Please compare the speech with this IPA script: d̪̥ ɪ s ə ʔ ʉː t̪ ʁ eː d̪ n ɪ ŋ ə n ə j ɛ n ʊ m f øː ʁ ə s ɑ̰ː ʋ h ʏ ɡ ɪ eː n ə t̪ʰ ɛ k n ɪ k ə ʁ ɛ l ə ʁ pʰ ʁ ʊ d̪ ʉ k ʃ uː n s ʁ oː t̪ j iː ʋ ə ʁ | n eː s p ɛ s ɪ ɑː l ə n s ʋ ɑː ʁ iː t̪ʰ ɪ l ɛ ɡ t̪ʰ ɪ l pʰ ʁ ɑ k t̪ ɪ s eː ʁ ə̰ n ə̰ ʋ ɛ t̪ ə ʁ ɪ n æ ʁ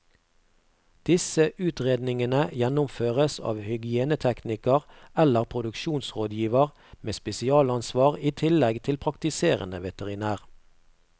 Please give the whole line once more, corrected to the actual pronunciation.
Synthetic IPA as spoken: d̪̥ ɪ s ə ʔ ʉː t̪ ʁ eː d̪ n ɪ ŋ ə n ə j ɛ n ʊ m f øː ʁ ə s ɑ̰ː ʋ h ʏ ɡ ɪ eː n ə t̪ʰ ɛ k n ɪ k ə ʁ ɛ l ə ʁ pʰ ʁ ʊ d̪ ʉ k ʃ uː n s ʁ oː d̪ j iː ʋ ə ʁ | m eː s p ɛ s ɪ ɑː l ɑ n s ʋ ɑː ʁ iː t̪ʰ ɪ l ɛ ɡ t̪ʰ ɪ l pʰ ʁ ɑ k t̪ ɪ s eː ʁ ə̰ n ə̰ ʋ ɛ t̪ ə ʁ ɪ n æː ʁ